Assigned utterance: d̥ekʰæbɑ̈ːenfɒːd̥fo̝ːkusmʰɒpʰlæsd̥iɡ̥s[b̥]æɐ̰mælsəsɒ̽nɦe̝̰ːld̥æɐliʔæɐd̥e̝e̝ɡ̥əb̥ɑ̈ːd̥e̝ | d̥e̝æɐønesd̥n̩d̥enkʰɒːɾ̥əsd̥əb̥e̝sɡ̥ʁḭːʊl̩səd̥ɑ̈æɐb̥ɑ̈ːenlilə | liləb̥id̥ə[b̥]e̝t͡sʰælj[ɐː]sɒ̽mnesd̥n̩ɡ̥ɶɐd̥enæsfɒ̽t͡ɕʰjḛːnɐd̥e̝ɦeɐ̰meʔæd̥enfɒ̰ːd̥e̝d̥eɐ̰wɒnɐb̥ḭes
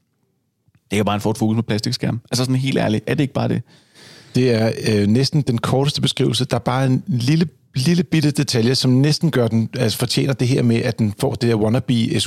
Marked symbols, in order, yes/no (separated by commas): no, no, no